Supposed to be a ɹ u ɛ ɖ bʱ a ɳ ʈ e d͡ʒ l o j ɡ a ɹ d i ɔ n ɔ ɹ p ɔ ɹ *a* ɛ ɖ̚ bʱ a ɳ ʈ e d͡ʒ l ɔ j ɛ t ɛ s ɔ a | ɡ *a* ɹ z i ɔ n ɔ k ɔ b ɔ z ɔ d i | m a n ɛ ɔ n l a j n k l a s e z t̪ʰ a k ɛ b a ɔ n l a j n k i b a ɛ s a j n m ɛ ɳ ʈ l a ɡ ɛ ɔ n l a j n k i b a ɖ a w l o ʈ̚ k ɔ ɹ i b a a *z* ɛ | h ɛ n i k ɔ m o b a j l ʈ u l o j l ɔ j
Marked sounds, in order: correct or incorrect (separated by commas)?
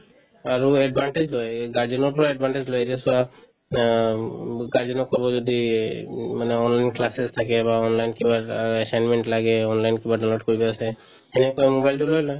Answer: correct, correct, incorrect